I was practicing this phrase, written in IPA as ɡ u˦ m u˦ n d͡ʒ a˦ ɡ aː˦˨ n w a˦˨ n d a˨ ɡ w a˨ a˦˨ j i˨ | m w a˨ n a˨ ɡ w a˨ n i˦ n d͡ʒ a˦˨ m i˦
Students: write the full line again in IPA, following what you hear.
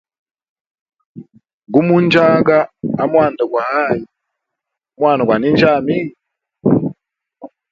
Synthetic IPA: ɡ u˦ m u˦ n d͡ʒ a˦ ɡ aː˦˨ m w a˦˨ n d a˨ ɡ w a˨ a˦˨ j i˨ | m w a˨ n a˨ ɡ w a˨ n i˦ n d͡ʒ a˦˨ m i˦